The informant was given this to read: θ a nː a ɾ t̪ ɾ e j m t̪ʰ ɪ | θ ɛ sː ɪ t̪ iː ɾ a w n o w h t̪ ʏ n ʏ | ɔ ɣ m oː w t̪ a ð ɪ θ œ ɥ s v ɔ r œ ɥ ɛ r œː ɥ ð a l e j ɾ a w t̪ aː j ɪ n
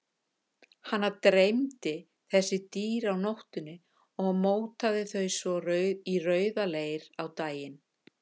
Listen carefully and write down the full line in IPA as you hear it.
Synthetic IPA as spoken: h a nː a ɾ t̪ ɾ e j m t̪ ɪ | θ ɛ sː ɪ t̪ iː ɾ a w n o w h t̪ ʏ n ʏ | ɔ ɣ m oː w t̪ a ð ɪ θ œ ɥ s v ɔ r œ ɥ i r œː ɥ ð a l e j ɾ a w t̪ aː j ɪ n